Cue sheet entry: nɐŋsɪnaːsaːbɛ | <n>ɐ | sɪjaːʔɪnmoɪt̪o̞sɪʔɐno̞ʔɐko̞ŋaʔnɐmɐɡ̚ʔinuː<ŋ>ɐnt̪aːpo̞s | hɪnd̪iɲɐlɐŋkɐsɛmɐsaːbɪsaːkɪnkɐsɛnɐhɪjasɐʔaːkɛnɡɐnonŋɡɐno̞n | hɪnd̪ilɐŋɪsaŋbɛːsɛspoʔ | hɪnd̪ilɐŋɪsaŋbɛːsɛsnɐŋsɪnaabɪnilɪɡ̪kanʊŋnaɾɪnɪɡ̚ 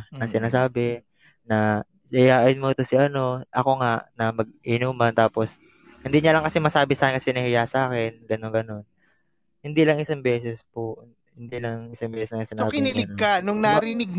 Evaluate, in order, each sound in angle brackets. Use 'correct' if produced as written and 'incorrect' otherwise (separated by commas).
correct, incorrect